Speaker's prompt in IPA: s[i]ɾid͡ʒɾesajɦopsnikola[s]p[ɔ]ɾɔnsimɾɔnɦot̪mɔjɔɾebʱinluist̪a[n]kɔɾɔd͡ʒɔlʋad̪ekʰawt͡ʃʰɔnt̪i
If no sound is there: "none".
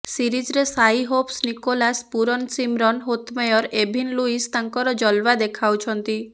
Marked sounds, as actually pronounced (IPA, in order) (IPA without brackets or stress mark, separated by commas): i, s, u, ŋ